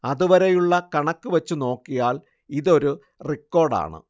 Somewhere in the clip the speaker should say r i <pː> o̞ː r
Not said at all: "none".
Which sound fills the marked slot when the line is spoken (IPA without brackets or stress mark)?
kː